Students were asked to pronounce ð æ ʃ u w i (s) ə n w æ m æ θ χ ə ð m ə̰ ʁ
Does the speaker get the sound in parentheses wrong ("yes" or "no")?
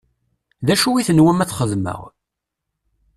yes